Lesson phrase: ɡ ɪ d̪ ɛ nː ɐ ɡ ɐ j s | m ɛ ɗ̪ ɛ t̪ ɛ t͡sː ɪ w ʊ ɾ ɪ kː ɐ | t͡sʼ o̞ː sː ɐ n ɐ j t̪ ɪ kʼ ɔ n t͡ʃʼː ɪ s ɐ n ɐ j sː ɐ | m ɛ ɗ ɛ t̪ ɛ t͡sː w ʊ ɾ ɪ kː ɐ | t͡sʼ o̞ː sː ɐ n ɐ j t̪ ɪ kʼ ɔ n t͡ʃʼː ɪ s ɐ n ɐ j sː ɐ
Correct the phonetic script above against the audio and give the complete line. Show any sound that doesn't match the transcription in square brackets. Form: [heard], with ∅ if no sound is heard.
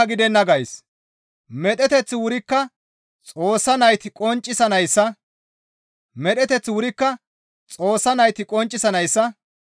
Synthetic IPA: ɡ ɪ d̪ ɛ nː ɐ ɡ ɐ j s | m ɛ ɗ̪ ɛ t̪ ɛ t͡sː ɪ w ʊ ɾ ɪ kː ɐ | t͡sʼ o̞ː sː ɐ n ɐ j t̪ ɪ kʼ ɔ n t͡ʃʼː ɪ s ɐ n ɐ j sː ɐ | m ɛ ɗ ɛ t̪ ɛ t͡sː w ʊ ɾ ɪ kː ɐ | t͡sʼ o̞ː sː ɐ n ɐ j t̪ ɪ kʼ ɔ n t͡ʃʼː ɪ s ɐ n ɐ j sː ɐ

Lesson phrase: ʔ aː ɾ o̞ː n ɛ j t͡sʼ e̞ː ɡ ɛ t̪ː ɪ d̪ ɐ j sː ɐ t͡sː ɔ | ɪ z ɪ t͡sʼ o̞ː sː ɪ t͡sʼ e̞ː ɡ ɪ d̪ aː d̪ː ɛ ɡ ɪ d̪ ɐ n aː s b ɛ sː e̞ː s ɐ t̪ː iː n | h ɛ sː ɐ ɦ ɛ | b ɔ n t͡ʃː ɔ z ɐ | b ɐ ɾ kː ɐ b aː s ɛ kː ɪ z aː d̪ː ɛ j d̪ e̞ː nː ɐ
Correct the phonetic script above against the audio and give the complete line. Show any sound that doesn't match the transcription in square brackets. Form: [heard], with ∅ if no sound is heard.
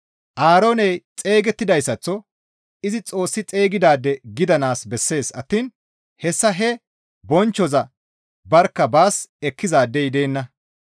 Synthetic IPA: ʔ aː ɾ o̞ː n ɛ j t͡sʼ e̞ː ɡ ɛ t̪ː ɪ d̪ ɐ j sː ɐ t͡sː ɔ | ɪ z ɪ t͡sʼ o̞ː sː ɪ t͡sʼ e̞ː ɡ ɪ d̪ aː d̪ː ɛ ɡ ɪ d̪ ɐ n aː s b ɛ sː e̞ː s ɐ t̪ː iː n | h ɛ sː ɐ ɦ ɛ | b ɔ n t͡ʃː ɔ z ɐ | b ɐ ɾ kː ɐ b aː s ɛ kː ɪ z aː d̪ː ɛ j d̪ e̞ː nː ɐ

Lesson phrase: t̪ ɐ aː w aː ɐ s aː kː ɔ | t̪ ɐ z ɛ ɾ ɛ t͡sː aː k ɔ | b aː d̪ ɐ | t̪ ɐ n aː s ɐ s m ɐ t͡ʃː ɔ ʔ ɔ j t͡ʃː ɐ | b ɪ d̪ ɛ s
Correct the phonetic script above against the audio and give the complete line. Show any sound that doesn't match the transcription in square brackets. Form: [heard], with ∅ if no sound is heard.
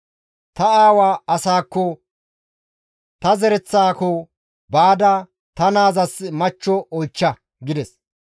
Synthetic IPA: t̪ ɐ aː w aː ɐ s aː kː ɔ | t̪ ɐ z ɛ ɾ ɛ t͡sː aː k ɔ | b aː d̪ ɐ | t̪ ɐ n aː [z] ɐ s m ɐ t͡ʃː ɔ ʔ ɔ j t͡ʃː ɐ | [ɡ] ɪ d̪ ɛ s

